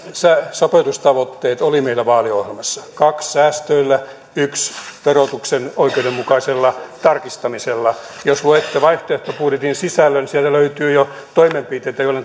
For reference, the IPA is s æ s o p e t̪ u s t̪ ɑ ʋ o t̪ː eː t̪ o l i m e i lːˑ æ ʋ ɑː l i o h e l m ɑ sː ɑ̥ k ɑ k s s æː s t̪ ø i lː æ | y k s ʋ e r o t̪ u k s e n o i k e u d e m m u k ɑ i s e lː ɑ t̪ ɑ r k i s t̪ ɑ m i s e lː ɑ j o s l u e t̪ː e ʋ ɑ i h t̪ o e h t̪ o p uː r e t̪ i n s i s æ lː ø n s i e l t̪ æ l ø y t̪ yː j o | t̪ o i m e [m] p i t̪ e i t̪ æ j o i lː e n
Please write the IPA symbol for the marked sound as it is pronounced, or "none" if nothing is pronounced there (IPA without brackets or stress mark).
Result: m